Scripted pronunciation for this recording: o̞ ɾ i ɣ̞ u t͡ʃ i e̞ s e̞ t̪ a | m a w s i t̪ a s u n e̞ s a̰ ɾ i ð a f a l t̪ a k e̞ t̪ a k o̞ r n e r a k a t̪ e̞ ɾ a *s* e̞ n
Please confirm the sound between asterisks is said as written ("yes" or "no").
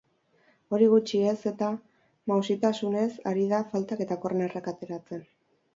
no